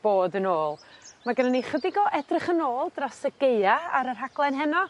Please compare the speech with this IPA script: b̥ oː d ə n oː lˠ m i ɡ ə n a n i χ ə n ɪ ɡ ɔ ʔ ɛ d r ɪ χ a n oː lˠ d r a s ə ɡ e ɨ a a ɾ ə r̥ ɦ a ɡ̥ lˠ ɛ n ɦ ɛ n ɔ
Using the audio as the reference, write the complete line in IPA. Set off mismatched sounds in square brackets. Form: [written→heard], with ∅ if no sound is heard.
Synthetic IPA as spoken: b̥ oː d ə n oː lˠ m [i→a] ɡ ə n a n i χ ə [n→d] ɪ ɡ ɔ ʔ ɛ d r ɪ χ [a→ə] n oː lˠ d r a s ə ɡ e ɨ a a ɾ ə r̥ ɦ a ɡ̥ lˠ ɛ n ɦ ɛ n ɔ